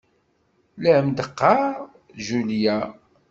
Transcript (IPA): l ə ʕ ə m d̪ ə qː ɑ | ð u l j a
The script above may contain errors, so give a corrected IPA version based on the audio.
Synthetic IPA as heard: l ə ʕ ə m d̪ ə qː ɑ | ʒ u l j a